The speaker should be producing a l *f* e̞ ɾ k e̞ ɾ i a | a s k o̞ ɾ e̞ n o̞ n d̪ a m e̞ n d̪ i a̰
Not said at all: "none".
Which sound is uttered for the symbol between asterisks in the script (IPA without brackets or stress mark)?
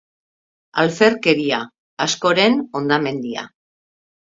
f